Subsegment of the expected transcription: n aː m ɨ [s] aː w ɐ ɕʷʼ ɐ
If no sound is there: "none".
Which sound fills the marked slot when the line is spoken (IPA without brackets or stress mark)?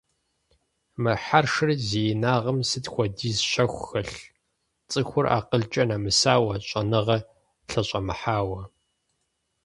s